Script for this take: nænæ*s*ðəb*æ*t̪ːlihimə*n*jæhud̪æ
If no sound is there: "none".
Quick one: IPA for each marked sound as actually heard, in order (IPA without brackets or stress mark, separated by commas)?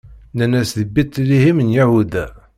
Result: s, i, n